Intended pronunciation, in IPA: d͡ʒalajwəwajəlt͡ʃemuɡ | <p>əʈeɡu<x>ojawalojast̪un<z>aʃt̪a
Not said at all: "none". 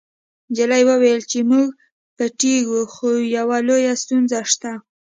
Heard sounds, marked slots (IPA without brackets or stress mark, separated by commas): p, x, z